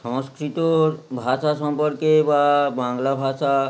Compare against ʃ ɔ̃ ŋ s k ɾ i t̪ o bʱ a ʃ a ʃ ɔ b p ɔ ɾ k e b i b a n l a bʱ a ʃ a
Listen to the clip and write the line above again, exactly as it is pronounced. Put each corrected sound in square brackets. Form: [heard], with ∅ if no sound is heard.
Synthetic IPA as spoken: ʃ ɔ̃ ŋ s k ɾ i t̪ o bʱ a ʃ a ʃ ɔ [m] p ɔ ɾ k e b [a] b a [ŋ] l a bʱ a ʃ a